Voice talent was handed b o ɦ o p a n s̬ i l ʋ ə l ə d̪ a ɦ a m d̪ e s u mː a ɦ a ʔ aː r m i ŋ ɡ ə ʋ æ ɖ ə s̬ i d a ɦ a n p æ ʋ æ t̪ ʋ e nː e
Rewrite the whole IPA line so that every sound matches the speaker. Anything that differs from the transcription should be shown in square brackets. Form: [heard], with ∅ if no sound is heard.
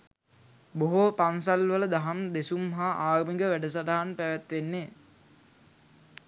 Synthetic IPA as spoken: b o ɦ o p a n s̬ [a] l ʋ ə l ə d̪ a ɦ a m d̪ e s u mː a ɦ a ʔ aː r m i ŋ ɡ ə ʋ æ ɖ ə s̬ [a] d a ɦ a n p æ ʋ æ t̪ ʋ e nː e